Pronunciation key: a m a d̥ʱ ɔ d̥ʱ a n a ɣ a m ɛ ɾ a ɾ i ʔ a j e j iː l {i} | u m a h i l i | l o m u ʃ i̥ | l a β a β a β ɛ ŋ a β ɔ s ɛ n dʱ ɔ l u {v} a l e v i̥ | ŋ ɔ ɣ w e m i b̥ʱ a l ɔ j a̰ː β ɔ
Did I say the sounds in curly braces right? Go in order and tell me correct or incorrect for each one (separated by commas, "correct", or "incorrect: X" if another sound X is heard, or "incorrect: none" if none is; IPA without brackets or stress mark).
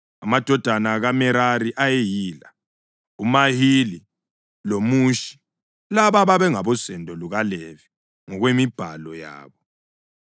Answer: incorrect: a, incorrect: ɣ